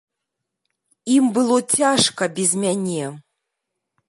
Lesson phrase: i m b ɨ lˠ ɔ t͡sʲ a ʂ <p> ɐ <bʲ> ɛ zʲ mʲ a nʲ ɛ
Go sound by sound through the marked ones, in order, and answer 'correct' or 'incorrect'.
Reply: incorrect, correct

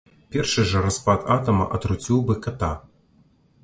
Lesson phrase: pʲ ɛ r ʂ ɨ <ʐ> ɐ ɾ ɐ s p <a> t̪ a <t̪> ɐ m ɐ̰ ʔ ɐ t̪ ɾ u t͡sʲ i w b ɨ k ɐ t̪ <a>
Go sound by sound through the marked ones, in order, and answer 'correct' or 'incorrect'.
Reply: correct, correct, correct, correct

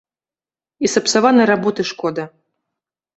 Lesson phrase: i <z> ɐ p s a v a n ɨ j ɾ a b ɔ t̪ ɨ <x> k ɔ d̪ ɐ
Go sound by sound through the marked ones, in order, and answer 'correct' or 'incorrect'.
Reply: incorrect, incorrect

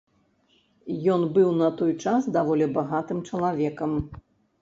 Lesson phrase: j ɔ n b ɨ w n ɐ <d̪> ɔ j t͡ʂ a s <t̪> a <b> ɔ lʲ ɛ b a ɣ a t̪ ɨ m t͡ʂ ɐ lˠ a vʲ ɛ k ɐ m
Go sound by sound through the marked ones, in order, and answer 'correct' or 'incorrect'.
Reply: incorrect, incorrect, incorrect

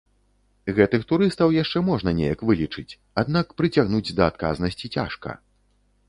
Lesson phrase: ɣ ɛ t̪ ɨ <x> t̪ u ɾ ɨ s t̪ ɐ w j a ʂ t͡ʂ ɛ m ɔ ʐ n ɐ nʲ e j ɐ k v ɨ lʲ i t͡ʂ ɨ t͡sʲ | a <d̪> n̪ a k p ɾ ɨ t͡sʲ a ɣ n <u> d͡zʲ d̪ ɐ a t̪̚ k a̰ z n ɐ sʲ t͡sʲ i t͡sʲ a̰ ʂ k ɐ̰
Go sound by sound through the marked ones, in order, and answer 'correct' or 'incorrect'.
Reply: correct, correct, correct

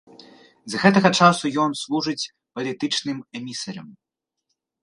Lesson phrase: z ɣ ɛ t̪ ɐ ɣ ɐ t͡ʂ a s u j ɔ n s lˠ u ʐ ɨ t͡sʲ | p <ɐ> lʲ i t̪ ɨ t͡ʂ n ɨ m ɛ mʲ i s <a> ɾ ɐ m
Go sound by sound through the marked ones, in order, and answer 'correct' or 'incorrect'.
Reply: correct, incorrect

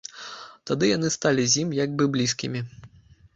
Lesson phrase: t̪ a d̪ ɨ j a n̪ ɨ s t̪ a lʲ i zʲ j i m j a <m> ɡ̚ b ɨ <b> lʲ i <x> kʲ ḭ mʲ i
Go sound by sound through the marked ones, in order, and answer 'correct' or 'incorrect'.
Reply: incorrect, correct, incorrect

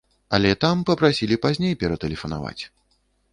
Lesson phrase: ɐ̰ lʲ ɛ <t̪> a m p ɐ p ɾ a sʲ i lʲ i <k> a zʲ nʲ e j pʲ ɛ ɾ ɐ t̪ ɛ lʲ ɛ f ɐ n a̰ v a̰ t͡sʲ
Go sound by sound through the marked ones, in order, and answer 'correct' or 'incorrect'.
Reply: correct, incorrect

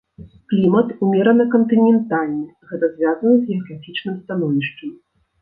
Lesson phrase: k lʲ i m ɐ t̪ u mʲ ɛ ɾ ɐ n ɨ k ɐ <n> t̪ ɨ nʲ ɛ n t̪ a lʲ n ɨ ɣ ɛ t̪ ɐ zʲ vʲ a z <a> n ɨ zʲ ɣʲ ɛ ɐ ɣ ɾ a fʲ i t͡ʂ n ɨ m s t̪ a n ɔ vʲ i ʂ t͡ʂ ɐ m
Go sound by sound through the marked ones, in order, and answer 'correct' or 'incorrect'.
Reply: correct, incorrect

